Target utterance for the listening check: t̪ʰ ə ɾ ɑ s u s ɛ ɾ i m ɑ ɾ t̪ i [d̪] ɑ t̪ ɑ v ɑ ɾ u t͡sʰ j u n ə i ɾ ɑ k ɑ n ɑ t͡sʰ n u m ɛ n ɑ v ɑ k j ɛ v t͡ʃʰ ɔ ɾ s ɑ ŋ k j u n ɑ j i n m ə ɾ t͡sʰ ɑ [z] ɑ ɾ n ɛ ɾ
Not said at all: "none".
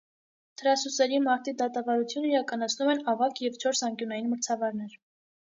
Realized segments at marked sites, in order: d̪, v

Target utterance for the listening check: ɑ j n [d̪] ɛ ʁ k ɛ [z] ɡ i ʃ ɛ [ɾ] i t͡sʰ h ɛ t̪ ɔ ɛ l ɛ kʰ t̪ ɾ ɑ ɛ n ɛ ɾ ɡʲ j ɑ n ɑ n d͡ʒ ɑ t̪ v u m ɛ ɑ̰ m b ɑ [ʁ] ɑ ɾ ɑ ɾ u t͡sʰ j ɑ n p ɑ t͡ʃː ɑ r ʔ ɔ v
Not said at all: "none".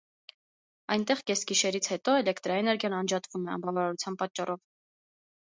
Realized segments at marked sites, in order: t̪, s, ɾ, v

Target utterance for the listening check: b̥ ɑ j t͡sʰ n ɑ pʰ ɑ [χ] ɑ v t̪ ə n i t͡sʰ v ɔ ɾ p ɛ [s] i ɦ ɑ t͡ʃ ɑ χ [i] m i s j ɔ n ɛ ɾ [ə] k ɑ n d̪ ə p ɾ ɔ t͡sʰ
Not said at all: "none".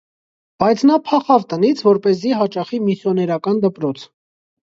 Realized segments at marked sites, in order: χ, z, i, ɑ

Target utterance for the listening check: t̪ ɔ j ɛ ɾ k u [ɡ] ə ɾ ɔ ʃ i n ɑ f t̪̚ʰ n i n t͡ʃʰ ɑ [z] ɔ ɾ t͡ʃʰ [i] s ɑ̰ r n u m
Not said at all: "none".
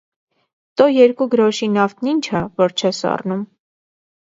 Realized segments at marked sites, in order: ɡ, v, ɛ

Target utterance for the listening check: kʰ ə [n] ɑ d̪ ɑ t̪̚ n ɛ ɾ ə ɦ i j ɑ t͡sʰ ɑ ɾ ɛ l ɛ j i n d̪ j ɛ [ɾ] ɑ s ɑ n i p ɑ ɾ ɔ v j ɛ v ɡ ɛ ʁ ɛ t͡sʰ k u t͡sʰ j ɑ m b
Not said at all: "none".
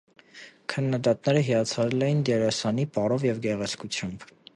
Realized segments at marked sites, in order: nː, ɾ

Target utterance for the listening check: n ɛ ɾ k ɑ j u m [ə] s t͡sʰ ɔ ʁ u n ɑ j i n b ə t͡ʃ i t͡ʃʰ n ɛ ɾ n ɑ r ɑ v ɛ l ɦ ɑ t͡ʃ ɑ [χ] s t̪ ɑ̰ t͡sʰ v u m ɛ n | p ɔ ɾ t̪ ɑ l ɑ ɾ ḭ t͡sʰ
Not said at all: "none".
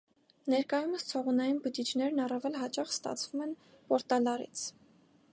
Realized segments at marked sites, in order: ə, χ

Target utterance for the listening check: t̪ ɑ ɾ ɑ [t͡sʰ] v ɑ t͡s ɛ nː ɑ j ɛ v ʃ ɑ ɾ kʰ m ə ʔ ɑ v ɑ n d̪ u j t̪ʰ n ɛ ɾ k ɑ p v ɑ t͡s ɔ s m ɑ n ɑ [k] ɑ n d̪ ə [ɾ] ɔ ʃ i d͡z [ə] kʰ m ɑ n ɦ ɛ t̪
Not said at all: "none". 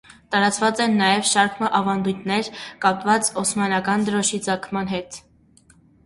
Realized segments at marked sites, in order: t͡s, k, ɾ, ɑ

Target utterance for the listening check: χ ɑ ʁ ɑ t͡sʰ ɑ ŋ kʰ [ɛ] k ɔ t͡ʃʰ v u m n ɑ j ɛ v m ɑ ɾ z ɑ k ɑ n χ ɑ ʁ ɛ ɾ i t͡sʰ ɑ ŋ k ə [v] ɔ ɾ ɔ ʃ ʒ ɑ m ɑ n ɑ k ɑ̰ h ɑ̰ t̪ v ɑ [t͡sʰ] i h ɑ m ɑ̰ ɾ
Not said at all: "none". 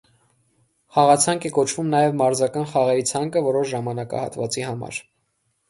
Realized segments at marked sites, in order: ɛ, v, t͡s

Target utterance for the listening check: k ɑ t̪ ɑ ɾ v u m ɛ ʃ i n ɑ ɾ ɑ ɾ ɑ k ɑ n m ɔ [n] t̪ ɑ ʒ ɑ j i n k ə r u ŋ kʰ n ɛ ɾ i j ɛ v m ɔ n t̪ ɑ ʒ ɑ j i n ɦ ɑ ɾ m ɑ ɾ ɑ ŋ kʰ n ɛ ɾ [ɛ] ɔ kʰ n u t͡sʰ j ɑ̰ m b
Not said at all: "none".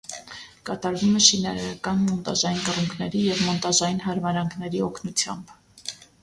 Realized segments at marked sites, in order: n, i

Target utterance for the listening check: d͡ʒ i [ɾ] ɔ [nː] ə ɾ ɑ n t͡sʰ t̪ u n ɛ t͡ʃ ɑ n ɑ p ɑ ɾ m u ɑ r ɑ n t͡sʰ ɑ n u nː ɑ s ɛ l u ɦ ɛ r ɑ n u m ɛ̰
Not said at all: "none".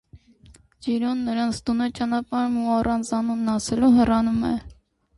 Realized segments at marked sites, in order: ɾ, nː

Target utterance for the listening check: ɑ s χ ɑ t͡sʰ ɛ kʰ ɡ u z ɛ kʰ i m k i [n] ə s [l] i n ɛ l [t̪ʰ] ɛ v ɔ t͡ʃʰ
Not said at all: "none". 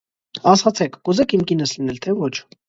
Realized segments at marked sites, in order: n, l, t̪ʰ

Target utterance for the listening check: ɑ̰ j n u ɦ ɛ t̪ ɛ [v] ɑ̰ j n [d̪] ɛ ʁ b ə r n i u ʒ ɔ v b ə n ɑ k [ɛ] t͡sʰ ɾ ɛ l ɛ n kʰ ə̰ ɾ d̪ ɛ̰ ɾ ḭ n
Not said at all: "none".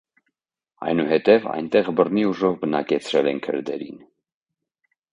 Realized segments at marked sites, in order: v, t̪, ɛ

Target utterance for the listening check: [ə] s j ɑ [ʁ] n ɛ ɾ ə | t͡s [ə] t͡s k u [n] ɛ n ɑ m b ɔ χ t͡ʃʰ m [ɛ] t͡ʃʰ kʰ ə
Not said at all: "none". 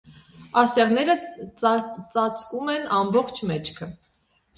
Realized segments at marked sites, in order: ɑ, ʁ, ɑ, m, ɛ

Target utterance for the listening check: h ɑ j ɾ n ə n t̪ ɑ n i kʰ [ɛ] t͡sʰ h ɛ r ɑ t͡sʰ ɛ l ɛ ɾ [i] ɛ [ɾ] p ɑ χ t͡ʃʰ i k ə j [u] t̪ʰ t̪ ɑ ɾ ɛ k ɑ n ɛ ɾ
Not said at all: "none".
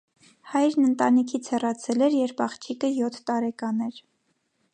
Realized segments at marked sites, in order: i, j, ɾ, ɔ

